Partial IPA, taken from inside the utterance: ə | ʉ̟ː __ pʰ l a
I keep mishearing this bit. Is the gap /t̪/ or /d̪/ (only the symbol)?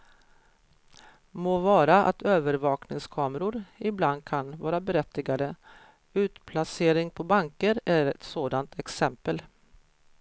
t̪